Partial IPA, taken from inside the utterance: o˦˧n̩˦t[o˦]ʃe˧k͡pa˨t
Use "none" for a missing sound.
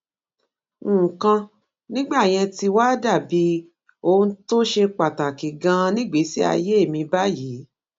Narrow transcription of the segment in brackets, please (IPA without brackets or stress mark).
o˦